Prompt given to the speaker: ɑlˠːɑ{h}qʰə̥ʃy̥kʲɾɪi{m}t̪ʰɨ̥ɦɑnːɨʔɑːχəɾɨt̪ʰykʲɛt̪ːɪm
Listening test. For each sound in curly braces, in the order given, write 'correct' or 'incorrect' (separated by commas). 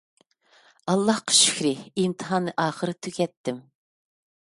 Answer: correct, correct